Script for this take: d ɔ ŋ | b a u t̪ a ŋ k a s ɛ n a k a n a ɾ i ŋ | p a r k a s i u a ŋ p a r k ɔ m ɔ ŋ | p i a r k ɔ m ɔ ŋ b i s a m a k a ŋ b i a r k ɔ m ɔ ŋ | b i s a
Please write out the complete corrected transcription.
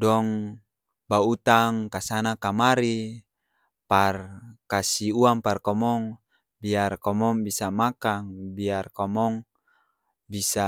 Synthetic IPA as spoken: d ɔ ŋ | b a u t̪ a ŋ k a s a n a k a m a ɾ i | p a r k a s i u a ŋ p a r k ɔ m ɔ ŋ | b i a r k ɔ m ɔ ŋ b i s a m a k a ŋ b i a r k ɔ m ɔ ŋ | b i s a